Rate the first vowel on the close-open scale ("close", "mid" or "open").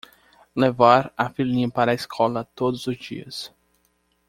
mid